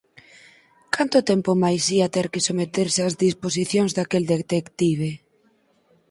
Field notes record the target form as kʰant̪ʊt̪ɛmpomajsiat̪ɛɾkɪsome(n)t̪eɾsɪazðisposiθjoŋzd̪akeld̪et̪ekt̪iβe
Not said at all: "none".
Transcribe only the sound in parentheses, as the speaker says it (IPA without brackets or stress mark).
none